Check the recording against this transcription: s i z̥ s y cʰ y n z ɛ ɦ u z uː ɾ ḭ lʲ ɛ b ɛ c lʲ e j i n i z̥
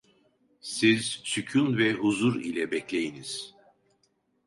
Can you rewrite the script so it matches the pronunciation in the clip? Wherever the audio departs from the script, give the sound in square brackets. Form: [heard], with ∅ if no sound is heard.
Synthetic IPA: s i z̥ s y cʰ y n [v] ɛ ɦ u z [u] ɾ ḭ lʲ ɛ b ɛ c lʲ e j i n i z̥